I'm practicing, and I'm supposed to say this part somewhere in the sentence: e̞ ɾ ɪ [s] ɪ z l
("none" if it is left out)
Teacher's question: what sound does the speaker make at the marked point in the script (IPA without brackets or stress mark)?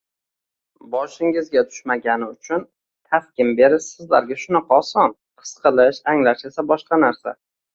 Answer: s